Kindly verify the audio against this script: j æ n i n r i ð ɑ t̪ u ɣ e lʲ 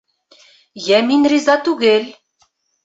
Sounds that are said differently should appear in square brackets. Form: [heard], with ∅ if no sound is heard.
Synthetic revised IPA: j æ [m] i n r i [z] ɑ t̪ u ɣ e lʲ